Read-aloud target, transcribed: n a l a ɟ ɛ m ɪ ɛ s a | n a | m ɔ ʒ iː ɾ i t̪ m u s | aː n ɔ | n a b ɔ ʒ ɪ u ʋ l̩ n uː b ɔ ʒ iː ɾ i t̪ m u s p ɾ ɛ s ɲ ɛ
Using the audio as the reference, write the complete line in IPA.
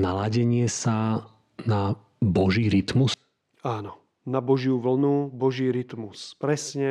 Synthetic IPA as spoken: n a l a ɟ ɛ ɲ ɪ ɛ s a | n a | b ɔ ʒ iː ɾ i t̪ m u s | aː n ɔ | n a b ɔ ʒ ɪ u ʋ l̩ n u b ɔ ʒ iː ɾ i t̪ m u s p ɾ ɛ s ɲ ɛ